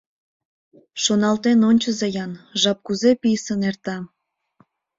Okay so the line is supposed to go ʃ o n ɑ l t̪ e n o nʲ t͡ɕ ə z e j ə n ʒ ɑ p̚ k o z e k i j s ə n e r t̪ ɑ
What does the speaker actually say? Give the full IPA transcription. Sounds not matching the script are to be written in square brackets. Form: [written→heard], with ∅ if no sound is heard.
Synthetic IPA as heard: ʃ o n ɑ l t̪ e n o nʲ t͡ɕ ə z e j [ə→ɑ] n ʒ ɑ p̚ k [o→u] z e [k→p] i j s ə n e r t̪ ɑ